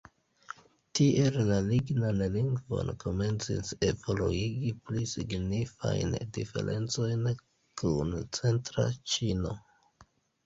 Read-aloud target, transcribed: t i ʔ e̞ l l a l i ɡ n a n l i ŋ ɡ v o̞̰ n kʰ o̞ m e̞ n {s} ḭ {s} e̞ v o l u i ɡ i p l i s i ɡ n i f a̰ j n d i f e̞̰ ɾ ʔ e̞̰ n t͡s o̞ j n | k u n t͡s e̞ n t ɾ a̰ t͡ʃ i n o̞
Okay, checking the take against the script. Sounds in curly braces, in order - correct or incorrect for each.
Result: incorrect, correct

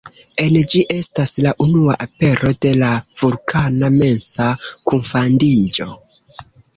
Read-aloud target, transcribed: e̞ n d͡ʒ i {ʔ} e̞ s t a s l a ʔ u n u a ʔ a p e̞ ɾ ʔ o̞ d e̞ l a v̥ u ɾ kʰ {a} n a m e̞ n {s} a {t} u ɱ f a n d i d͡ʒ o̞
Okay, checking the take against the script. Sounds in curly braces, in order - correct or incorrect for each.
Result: correct, correct, correct, incorrect

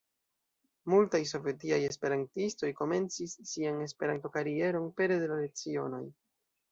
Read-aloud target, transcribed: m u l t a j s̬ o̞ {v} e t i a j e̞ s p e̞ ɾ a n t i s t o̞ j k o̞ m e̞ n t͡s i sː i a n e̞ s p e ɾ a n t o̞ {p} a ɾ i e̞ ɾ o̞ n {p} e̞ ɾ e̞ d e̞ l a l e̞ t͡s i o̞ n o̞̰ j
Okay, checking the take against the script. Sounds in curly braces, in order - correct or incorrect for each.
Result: correct, incorrect, correct

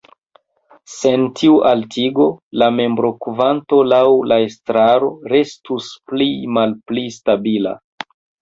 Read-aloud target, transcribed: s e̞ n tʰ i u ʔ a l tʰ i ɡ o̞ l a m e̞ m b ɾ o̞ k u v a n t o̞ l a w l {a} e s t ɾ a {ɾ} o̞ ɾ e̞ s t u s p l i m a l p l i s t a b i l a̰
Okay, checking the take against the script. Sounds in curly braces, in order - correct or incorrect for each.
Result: correct, correct

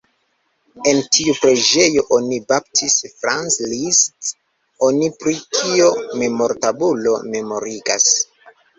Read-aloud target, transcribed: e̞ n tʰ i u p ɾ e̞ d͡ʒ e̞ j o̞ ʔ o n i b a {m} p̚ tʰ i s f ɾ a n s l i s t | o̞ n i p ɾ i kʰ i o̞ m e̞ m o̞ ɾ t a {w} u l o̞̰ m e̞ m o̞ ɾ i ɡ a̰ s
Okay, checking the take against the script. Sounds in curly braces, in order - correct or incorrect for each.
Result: incorrect, incorrect

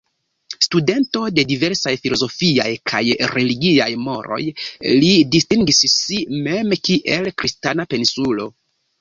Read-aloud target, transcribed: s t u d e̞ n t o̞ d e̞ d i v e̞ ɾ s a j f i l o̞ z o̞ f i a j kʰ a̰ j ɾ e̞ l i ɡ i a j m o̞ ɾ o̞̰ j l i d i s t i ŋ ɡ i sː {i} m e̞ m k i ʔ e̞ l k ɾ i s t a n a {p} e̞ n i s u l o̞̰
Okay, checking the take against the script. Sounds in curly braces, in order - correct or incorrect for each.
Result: correct, correct

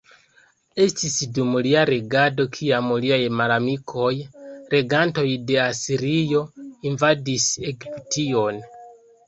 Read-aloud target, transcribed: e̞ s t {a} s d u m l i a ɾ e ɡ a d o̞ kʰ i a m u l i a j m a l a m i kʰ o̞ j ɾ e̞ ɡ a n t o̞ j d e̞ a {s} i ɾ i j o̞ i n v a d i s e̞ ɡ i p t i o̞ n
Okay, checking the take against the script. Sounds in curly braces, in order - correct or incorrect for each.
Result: incorrect, correct

